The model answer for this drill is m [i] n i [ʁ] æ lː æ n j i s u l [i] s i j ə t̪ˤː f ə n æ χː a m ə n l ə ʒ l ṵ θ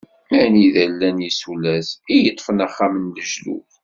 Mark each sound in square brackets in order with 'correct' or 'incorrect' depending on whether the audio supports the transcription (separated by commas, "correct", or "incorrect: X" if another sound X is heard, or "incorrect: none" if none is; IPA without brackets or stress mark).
incorrect: æ, incorrect: ð, incorrect: æ